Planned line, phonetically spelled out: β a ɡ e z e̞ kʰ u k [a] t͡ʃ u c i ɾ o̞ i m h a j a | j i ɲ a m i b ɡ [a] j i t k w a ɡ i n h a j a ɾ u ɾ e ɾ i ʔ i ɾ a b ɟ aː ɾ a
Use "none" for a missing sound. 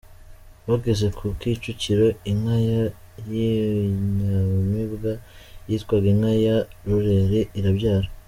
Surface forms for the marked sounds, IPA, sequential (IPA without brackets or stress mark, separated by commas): i, a